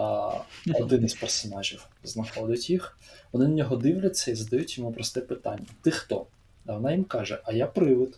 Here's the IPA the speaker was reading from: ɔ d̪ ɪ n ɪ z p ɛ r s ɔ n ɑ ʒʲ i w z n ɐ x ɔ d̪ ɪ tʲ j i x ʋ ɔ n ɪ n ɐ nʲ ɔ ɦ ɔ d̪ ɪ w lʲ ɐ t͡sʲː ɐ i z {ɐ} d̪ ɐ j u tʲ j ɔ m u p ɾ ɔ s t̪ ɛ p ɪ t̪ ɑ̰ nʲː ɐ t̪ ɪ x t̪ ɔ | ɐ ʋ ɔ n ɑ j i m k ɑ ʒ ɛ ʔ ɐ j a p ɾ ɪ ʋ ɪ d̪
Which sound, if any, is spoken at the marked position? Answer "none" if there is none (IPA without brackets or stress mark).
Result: ɐ